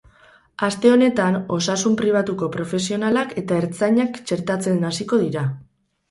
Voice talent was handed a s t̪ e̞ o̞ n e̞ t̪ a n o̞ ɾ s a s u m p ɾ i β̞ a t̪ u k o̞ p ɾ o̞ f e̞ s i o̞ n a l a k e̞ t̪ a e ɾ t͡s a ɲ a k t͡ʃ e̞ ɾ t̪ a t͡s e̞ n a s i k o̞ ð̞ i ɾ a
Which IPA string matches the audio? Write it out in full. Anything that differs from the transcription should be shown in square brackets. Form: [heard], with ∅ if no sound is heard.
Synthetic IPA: a s t̪ e̞ o̞ n e̞ t̪ a n o̞ [∅] s a s u m p ɾ i β̞ a t̪ u k o̞ p ɾ o̞ f e̞ s i o̞ n a l a k e̞ t̪ a e ɾ t͡s a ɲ a k t͡ʃ e̞ ɾ t̪ a t͡s e̞ n a s i k o̞ ð̞ i ɾ a